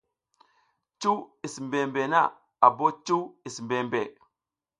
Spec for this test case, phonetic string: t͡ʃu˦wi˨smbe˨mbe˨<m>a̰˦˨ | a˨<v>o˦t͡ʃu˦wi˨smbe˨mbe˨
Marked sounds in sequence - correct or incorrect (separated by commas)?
incorrect, incorrect